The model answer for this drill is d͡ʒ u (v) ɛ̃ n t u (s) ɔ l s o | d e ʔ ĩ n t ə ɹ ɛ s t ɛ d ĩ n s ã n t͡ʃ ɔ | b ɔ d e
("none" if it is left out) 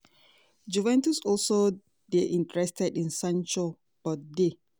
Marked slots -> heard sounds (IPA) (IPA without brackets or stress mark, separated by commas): v, s